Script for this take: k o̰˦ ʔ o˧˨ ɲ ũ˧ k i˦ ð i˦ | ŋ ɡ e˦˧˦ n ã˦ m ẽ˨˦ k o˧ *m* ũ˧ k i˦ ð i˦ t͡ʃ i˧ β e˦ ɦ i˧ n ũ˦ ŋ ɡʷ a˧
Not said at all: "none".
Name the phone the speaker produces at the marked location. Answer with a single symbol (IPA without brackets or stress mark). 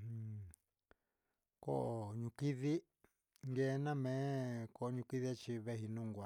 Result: ɲ